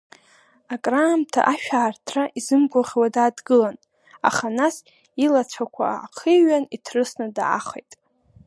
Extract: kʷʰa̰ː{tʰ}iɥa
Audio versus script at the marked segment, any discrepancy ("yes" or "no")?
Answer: yes